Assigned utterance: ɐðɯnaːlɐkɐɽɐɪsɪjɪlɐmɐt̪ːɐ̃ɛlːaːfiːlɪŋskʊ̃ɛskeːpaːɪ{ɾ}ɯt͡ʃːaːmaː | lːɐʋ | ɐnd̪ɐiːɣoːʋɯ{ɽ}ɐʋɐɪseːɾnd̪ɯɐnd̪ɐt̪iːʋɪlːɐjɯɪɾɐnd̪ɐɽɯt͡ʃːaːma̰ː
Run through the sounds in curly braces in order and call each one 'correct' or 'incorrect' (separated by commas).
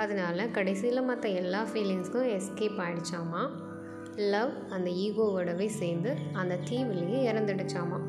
incorrect, correct